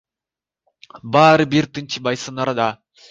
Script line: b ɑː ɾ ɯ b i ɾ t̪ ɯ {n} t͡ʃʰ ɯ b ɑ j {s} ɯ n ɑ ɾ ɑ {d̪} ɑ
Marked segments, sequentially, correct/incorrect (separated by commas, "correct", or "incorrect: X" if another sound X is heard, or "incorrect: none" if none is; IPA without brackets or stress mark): correct, correct, correct